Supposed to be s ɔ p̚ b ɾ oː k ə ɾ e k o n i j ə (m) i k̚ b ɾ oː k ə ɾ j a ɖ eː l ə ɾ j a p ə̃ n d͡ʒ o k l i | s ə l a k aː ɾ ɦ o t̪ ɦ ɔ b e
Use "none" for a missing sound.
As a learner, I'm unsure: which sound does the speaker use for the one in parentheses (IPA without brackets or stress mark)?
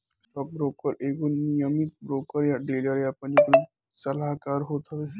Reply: m